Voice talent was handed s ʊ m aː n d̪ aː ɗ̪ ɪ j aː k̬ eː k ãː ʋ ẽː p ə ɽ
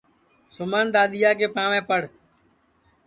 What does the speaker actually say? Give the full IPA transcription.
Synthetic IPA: s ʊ m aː n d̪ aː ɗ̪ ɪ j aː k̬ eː p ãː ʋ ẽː p ə ɽ

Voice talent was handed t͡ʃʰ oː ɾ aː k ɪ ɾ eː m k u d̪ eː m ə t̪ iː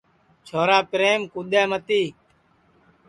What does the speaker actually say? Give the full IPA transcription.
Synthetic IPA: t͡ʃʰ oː ɾ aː p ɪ ɾ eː m k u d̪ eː m ə t̪ iː

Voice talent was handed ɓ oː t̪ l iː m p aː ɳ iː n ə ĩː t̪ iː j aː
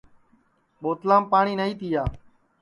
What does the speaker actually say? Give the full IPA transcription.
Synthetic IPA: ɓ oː t̪ l aː m p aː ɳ iː n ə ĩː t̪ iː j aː

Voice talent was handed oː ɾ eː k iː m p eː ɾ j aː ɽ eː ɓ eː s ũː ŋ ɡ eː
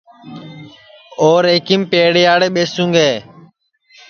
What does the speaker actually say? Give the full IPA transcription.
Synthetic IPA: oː ɾ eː k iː m p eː ɽ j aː ɽ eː ɓ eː s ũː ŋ ɡ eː

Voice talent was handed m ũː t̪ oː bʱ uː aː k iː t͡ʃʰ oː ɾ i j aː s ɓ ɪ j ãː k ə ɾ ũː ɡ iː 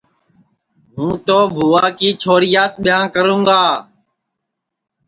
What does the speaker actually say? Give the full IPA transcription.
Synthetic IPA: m ũː t̪ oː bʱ uː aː k iː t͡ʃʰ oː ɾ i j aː s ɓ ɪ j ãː k ə ɾ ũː ɡ aː

